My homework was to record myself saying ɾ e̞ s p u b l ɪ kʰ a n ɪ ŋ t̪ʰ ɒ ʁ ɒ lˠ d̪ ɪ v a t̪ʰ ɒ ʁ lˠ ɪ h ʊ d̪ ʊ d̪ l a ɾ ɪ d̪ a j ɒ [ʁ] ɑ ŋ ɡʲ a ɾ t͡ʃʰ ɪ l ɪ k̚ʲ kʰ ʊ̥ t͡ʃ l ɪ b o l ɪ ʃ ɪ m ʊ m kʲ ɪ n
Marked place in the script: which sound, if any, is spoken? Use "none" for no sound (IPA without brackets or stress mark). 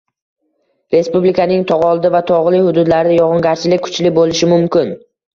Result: ʁ